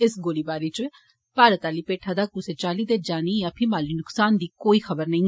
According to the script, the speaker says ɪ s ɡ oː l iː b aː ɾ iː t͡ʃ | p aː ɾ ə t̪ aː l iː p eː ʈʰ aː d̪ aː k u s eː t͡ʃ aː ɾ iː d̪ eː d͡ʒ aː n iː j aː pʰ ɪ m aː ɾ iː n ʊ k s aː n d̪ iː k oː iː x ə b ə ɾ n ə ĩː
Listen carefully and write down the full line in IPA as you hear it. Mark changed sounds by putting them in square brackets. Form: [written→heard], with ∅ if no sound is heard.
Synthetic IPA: ɪ s ɡ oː l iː b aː ɾ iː t͡ʃ | p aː ɾ ə t̪ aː l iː p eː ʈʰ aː d̪ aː k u s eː t͡ʃ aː [ɾ→l] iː d̪ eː d͡ʒ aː n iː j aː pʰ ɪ m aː [ɾ→l] iː n ʊ k s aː n d̪ iː k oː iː x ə b ə ɾ n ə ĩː